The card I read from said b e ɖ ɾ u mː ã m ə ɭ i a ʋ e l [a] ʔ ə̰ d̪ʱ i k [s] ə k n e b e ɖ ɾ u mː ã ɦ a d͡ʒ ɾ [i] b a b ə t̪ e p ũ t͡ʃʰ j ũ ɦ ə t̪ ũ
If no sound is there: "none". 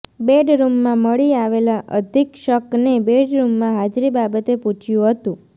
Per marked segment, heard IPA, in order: a, ʃ, i

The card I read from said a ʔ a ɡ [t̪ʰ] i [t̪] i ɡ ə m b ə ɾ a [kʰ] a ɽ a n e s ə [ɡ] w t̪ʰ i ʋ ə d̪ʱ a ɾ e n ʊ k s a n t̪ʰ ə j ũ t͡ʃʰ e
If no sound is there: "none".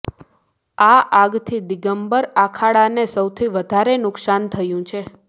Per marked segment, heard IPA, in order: t̪ʰ, d̪, kʰ, none

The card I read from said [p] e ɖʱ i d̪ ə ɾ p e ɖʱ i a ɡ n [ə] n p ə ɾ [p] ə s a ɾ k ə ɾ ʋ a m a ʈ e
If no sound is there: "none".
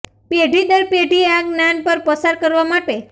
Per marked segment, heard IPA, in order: p, a, p

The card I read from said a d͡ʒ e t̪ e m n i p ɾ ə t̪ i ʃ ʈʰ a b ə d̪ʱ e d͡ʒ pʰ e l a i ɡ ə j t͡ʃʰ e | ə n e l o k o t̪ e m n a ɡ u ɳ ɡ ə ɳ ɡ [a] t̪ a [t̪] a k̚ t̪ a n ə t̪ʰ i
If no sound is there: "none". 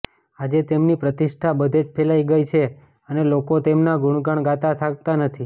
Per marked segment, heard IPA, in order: a, t̪ʰ

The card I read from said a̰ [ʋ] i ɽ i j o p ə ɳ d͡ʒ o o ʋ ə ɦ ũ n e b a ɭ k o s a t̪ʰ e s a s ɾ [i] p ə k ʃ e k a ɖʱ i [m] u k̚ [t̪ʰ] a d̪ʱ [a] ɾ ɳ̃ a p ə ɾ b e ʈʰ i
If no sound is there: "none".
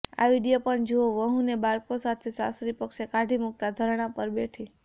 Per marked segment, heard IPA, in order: ʋ, i, m, t̪, ə

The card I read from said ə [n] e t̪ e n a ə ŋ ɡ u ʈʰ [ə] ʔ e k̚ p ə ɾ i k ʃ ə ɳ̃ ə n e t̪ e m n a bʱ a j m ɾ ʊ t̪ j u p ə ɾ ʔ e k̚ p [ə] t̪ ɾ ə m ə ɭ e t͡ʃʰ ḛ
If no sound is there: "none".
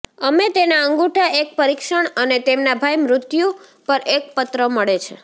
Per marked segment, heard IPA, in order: m, a, ə

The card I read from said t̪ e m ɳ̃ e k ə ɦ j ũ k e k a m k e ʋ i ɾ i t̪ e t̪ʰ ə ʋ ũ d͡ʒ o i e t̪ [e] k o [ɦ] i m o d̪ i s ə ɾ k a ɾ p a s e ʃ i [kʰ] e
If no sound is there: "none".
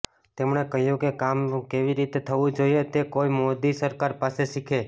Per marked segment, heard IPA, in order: e, none, kʰ

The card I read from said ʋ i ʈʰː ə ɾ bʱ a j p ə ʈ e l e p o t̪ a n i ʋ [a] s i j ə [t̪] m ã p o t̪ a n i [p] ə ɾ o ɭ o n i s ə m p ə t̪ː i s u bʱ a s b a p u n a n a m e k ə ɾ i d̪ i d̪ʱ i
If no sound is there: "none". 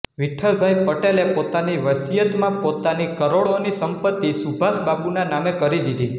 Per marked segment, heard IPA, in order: ə, t̪, k

